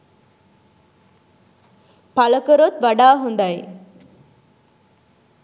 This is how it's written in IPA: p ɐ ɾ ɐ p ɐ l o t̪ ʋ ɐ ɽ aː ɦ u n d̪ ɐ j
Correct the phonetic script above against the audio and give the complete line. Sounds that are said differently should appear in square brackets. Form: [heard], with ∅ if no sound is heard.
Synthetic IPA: p ɐ [l] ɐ [k] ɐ [ɾ] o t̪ ʋ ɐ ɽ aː ɦ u n d̪ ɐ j